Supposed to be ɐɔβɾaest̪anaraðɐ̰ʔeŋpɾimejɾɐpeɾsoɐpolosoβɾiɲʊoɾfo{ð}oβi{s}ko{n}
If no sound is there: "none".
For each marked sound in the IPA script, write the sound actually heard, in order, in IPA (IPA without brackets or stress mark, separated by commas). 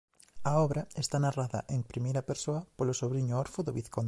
ð, θ, n